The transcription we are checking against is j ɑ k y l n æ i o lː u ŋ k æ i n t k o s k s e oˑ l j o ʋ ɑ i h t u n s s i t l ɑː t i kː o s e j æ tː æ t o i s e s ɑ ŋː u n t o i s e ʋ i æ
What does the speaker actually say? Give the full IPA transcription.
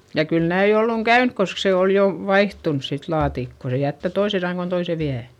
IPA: j ɑ k y l n æ i o lː u ŋ k æ y n k k o s k s e oˑ l j o ʋ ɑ i h t u n s s i t l ɑː t i kː o s e j æ tː æ t o i s e s ɑ ŋː o n t o i s e ʋ i æ